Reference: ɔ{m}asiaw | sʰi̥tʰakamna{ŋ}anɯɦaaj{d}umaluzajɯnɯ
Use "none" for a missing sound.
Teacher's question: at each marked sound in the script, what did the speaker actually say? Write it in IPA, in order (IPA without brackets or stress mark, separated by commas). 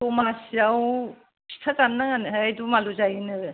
m, ŋ, d